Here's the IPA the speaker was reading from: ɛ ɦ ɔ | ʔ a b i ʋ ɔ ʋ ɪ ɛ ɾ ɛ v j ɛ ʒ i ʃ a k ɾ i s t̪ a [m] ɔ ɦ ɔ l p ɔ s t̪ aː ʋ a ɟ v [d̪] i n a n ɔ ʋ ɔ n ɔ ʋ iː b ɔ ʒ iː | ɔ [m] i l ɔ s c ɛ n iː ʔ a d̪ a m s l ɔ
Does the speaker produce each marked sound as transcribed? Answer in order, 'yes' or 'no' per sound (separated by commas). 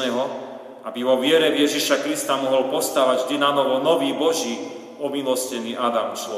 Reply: yes, yes, yes